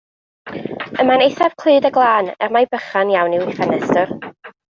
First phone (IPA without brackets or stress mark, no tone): ə